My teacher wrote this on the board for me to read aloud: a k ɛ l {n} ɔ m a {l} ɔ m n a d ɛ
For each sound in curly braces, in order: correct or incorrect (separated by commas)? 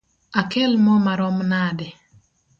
incorrect, incorrect